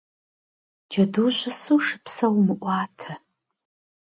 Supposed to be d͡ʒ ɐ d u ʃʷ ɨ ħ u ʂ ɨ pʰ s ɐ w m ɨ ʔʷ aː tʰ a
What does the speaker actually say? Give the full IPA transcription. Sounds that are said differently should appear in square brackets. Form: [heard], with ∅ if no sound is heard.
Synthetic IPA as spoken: d͡ʒ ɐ d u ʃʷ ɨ [s] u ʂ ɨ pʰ s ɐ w m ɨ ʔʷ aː tʰ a

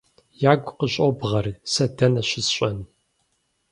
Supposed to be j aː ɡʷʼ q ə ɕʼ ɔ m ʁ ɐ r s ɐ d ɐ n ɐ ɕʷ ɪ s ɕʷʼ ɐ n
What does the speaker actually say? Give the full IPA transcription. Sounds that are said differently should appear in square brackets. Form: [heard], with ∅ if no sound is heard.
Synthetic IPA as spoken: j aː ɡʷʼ q ə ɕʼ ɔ [b] ʁ ɐ r s ɐ d ɐ n ɐ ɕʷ ɪ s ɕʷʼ ɐ n

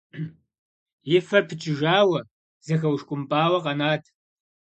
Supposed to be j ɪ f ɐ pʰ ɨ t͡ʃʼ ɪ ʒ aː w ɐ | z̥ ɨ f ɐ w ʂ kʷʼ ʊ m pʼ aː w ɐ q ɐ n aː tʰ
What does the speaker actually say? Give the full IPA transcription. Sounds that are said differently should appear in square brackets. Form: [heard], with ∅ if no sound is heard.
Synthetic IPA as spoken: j ɪ f ɐ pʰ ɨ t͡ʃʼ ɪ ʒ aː w ɐ | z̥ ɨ [x] ɐ w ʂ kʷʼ ʊ m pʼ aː w ɐ q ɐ n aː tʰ

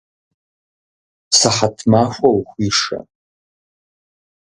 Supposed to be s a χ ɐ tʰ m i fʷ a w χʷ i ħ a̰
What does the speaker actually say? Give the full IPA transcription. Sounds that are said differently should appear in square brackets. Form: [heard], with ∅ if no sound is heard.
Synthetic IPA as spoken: s a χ [a] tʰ m [a] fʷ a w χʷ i [ʂ] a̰

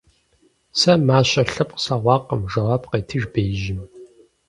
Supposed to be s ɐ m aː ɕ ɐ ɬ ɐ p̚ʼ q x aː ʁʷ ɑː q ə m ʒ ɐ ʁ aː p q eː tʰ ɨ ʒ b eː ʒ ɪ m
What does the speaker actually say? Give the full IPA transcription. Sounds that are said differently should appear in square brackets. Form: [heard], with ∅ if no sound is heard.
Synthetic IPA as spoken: s ɐ m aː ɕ ɐ ɬ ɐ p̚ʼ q [s] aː ʁʷ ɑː q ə m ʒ ɐ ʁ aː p q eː tʰ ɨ ʒ b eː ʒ ɪ m

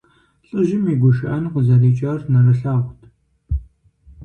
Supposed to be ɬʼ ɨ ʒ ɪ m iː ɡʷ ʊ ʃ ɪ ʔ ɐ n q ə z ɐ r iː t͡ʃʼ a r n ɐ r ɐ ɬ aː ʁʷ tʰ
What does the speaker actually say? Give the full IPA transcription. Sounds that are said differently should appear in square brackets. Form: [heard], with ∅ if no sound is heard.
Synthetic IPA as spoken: ɬʼ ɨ ʒ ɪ m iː ɡʷ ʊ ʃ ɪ ʔ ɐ n q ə z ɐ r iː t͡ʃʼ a r n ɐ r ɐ ɬ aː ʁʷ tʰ

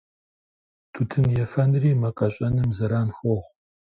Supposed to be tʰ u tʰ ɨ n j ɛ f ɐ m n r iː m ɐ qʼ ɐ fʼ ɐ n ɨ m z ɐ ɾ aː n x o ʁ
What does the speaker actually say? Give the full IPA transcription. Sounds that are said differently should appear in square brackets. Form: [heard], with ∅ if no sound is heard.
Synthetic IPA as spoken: tʰ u tʰ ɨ n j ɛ f ɐ [∅] n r iː m ɐ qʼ ɐ [ɕʼ] ɐ n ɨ m z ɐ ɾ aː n x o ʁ

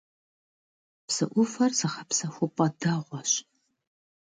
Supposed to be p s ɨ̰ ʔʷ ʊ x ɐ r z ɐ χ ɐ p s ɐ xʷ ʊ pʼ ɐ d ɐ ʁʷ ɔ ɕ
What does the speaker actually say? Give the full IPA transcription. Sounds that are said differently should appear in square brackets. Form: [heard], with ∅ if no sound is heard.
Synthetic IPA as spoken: p s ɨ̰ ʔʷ ʊ [f] ɐ r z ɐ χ ɐ p s ɐ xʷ ʊ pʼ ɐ d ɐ ʁʷ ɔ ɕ

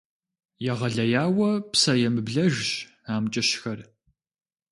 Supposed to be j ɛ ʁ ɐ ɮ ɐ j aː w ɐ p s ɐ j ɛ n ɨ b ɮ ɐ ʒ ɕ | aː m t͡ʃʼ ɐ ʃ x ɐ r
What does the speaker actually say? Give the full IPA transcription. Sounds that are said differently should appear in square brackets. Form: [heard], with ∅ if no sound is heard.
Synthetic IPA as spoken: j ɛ ʁ ɐ ɮ ɐ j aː w ɐ p s ɐ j ɛ [m] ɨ b ɮ ɐ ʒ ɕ | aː m t͡ʃʼ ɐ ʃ x ɐ r

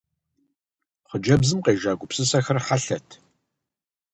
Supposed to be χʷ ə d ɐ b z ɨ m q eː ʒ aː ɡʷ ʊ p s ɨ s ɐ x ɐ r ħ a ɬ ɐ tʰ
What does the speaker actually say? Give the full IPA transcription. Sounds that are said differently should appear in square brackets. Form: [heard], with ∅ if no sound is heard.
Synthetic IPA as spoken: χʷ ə [d͡ʒ] ɐ b z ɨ m q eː ʒ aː ɡʷ ʊ p s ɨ s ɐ x ɐ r ħ a ɬ ɐ tʰ

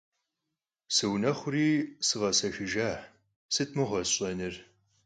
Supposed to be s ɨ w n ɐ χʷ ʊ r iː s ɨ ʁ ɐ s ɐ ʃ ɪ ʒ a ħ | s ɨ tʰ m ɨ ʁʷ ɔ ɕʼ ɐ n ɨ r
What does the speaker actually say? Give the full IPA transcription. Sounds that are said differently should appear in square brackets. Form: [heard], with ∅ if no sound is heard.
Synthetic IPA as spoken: s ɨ w n ɐ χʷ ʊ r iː s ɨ ʁ ɐ s ɐ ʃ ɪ ʒ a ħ | s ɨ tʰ m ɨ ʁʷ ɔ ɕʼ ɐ n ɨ r

